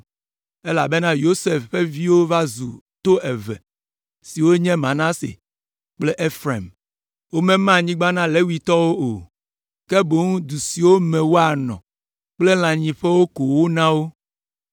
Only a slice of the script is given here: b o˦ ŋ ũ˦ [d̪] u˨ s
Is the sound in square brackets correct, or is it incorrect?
correct